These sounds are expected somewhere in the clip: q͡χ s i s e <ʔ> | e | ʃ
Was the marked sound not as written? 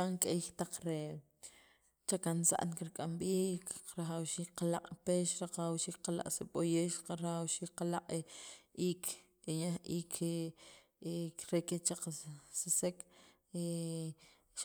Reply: yes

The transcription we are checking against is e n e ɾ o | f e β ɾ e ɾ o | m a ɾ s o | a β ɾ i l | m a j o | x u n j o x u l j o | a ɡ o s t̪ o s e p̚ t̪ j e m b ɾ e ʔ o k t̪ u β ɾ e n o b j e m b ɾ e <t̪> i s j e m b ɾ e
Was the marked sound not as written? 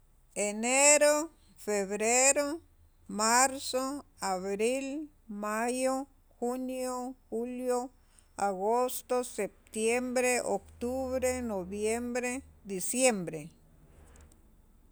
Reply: yes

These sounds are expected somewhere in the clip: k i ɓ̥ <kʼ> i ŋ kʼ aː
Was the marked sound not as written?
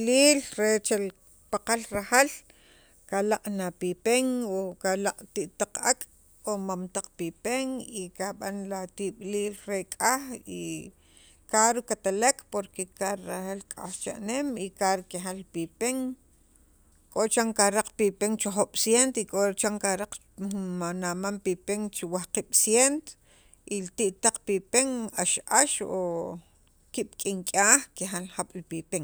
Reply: no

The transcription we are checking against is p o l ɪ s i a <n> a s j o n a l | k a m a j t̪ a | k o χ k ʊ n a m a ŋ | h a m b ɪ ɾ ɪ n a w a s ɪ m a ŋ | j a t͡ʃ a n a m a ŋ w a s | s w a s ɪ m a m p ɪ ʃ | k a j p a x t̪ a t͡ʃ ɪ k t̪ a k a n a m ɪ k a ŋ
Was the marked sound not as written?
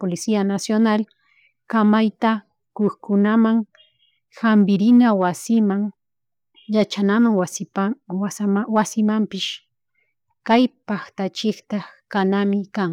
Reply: no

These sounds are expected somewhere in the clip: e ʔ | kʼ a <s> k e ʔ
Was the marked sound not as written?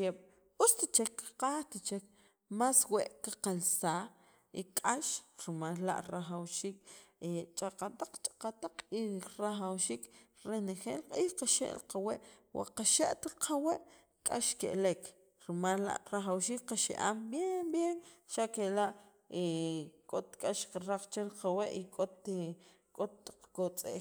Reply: yes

